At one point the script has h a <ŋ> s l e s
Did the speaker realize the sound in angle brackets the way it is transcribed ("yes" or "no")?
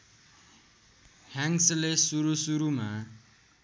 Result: yes